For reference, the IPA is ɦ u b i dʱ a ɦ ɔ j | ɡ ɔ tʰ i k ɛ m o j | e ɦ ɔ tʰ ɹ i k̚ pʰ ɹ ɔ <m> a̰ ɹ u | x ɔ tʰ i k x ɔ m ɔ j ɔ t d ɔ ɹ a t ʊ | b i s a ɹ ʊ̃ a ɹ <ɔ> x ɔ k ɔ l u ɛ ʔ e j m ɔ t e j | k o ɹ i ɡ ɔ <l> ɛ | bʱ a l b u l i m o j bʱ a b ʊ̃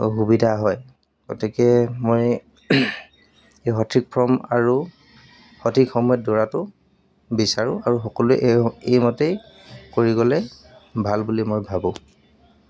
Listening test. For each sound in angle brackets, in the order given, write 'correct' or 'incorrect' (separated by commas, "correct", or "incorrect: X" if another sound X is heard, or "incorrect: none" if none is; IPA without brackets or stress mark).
correct, incorrect: u, correct